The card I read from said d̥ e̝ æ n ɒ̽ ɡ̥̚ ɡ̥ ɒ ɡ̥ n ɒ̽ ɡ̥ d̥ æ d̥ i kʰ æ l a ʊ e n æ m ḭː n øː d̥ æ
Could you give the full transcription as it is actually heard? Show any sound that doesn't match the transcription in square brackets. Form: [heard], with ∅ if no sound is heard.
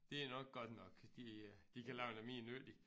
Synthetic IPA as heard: d̥ e̝ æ n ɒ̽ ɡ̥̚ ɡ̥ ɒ [d̥] n ɒ̽ ɡ̥ d̥ [i] d̥ i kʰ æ l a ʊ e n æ m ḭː n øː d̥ [i]